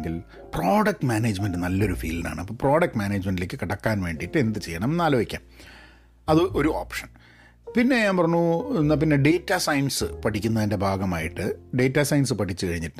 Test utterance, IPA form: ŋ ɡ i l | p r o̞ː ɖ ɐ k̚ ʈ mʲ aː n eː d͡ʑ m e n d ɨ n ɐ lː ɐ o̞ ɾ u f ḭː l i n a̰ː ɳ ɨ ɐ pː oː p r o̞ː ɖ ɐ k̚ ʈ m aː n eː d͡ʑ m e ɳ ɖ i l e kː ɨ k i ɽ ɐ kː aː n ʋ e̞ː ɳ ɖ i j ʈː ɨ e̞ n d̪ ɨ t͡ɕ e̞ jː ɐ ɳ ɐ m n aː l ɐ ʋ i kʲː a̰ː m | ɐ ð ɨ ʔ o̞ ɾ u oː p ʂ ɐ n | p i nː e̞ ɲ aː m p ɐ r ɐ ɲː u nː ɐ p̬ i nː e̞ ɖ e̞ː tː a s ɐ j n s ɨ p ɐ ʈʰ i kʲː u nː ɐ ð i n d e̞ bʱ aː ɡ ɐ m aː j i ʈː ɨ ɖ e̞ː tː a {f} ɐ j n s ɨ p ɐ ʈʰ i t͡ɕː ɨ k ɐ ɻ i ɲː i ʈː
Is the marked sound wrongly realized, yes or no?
yes